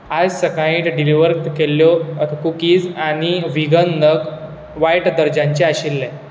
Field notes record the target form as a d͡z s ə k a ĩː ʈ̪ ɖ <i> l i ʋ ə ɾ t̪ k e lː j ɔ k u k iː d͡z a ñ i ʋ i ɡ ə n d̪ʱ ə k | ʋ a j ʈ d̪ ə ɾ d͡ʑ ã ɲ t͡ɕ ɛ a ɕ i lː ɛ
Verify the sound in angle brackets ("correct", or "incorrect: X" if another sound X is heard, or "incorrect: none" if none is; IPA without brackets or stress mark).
correct